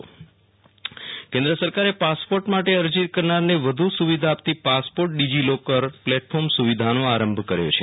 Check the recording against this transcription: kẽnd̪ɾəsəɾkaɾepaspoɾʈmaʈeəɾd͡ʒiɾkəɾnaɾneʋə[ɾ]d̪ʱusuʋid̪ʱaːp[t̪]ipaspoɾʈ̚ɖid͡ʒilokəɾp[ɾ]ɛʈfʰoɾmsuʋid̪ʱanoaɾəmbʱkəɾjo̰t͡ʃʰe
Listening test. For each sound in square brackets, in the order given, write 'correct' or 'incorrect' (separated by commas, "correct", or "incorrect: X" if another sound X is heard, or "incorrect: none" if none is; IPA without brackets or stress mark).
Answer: incorrect: none, correct, incorrect: l